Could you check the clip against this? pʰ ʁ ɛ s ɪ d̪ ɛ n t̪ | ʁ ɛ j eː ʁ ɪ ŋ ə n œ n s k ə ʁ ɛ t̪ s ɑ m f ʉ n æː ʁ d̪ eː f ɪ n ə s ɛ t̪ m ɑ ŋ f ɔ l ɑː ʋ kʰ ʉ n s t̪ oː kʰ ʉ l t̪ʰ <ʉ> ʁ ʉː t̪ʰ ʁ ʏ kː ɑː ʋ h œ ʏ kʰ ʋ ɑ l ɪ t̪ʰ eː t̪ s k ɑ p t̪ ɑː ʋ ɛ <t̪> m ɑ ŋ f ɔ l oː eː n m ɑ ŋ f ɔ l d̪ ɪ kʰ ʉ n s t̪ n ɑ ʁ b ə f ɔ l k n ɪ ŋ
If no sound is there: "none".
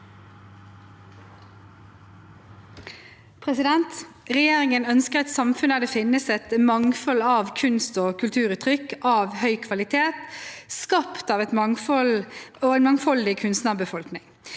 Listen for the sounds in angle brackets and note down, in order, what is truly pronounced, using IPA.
ʉː, t̪

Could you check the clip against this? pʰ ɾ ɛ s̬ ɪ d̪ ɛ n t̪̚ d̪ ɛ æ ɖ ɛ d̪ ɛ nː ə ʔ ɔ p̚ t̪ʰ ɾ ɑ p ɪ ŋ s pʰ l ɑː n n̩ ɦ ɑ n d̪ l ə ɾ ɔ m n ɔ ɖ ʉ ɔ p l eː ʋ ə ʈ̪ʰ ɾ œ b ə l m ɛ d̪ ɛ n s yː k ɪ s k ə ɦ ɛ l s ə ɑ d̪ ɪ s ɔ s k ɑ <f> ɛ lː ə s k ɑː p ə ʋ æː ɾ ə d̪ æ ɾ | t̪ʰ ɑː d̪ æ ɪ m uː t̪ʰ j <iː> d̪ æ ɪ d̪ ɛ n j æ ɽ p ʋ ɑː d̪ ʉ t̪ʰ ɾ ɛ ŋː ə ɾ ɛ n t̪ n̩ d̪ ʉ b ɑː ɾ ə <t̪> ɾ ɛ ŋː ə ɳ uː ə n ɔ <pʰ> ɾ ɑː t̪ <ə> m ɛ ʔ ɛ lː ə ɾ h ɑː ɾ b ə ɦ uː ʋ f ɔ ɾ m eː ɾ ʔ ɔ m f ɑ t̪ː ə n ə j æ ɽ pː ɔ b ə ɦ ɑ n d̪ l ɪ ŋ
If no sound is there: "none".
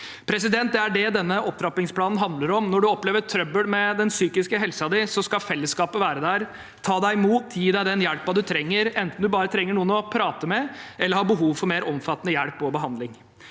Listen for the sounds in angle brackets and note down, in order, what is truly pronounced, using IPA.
f, iː, t̪ʰ, pʰ, ə

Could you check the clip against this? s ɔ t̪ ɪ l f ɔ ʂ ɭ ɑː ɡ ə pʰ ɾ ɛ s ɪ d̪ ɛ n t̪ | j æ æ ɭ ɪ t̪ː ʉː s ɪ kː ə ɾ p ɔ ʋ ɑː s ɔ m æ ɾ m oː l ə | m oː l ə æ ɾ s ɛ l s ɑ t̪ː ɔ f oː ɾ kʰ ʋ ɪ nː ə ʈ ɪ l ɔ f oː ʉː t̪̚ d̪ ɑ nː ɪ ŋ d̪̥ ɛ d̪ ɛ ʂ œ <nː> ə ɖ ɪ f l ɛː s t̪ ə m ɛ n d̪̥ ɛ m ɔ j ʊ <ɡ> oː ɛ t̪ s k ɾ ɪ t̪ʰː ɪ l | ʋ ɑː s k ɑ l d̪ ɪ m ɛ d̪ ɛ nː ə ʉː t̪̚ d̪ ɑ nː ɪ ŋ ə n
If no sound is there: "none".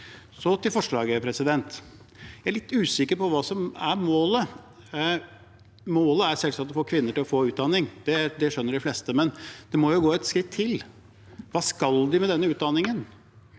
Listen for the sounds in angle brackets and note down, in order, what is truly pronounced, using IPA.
nː, ɡ

